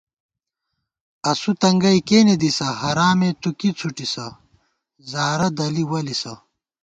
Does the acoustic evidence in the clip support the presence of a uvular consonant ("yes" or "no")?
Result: no